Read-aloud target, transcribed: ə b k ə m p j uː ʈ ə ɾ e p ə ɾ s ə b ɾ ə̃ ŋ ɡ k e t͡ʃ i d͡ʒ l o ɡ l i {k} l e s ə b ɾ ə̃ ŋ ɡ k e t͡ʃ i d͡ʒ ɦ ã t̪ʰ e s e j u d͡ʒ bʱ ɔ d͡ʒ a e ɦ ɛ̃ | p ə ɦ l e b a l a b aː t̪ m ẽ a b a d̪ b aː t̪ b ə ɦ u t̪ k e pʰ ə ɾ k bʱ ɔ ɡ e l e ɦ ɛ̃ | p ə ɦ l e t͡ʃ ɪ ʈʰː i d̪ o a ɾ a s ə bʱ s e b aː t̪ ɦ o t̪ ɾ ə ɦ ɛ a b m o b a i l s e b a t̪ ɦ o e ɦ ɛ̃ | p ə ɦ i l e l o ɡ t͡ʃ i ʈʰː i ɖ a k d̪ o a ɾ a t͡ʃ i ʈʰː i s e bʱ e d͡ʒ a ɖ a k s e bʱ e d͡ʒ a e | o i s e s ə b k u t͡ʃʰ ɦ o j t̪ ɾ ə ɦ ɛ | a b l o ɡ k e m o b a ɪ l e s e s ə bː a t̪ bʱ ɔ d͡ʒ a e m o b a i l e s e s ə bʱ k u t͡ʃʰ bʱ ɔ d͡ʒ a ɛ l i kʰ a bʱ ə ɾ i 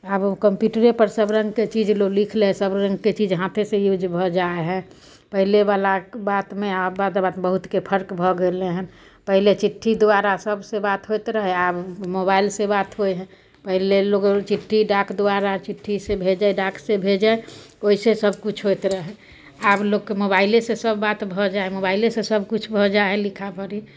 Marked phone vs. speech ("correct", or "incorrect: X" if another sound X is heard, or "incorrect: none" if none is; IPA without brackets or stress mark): incorrect: kʰ